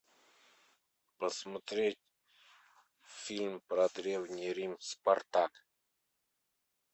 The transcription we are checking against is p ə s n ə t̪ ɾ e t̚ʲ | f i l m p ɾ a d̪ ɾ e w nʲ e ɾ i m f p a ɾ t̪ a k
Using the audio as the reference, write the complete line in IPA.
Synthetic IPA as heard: p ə s m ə t̪ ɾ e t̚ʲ | f i l m p ɾ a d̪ ɾ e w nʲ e ɾ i m s p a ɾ t̪ a k

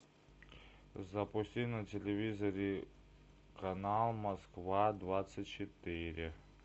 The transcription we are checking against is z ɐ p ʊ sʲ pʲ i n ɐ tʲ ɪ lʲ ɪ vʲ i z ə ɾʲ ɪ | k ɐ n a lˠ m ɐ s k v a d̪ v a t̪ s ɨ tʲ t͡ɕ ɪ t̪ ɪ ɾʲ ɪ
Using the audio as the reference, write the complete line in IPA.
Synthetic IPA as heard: z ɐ p ʊ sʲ tʲ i n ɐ tʲ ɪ lʲ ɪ vʲ i z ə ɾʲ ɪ | k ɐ n a lˠ m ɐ s k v a d̪ v a t̪ s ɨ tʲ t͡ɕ ɪ t̪ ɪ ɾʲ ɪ

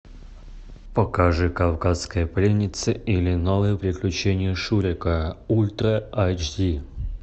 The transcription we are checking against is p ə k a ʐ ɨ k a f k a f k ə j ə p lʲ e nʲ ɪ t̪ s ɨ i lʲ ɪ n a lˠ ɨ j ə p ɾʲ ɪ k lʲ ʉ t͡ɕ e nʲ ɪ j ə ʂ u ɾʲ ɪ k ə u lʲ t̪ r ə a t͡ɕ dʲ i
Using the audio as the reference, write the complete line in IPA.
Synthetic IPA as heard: p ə k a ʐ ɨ k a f k a s k ə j ə p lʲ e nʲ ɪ t̪ s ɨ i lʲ ɪ n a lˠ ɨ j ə p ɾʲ ɪ k lʲ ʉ t͡ɕ e nʲ ɪ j ə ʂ u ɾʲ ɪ k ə u lʲ t̪ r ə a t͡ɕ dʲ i

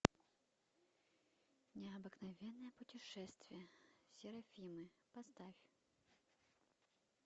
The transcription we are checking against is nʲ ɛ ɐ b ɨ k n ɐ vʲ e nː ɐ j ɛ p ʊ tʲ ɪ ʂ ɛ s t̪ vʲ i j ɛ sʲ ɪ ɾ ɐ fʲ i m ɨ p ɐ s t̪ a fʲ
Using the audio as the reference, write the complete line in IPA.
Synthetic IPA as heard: nʲ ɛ ɐ b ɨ k n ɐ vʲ ɛ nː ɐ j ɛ p ʊ tʲ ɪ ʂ ɛ s t̪ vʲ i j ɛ sʲ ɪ ɾ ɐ fʲ i m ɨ p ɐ s t̪ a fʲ

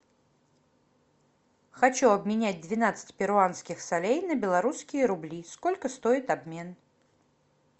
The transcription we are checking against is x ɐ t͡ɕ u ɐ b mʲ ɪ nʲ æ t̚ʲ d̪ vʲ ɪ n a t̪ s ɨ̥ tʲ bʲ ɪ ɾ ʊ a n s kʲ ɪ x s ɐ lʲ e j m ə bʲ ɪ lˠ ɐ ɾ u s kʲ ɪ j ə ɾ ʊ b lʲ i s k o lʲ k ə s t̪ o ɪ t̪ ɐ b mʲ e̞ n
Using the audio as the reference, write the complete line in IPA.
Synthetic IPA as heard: x ɐ t͡ɕ u ɐ b mʲ ɪ nʲ æ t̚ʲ d̪ vʲ ɪ n a t̪ s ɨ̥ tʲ pʲ ɪ ɾ ʊ a n s kʲ ɪ x s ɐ lʲ e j n ə bʲ ɪ lˠ ɐ ɾ u s kʲ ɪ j ə ɾ ʊ b lʲ i s k o lʲ k ə s t̪ o ɪ t̪ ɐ b mʲ e̞ n

